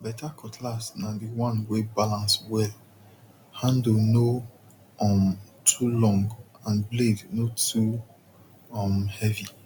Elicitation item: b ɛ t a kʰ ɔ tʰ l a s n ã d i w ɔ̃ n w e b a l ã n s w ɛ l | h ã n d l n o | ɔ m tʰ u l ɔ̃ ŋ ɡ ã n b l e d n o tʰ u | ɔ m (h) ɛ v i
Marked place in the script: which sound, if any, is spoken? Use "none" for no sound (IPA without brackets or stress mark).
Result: h